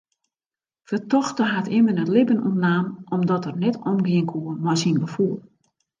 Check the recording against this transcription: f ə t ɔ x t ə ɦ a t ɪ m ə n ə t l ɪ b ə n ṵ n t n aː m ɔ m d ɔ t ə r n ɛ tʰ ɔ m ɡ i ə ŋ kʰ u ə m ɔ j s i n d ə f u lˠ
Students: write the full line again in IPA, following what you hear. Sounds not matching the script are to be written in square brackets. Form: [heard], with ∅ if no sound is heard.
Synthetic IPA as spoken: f ə t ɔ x t ə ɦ a t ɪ m ə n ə t l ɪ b ə n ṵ n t n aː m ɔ m d ɔ t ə r n ɛ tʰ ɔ m ɡ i ə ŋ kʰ u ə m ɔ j s i n [ɡ] ə f u lˠ